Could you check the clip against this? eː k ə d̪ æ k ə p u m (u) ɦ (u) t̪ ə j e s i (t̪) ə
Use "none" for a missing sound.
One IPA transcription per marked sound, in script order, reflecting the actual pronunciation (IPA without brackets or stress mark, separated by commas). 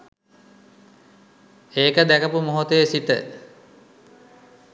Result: o, o, t̪